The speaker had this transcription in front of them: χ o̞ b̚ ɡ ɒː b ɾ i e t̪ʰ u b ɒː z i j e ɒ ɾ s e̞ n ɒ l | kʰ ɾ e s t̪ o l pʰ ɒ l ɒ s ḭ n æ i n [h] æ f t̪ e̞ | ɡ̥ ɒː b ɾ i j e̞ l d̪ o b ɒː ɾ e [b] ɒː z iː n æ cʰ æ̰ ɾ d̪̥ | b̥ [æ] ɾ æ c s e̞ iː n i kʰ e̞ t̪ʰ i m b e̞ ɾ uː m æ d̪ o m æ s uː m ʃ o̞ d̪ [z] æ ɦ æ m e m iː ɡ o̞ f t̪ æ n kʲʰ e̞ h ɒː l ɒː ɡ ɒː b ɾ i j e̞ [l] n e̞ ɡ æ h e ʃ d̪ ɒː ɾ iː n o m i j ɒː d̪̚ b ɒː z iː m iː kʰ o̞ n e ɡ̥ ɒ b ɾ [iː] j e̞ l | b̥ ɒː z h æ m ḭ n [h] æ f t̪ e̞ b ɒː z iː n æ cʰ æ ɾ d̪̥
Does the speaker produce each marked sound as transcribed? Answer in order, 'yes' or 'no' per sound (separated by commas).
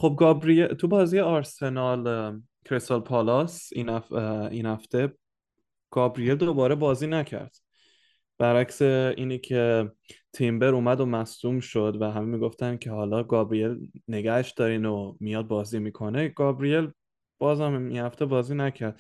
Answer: yes, yes, yes, no, yes, no, yes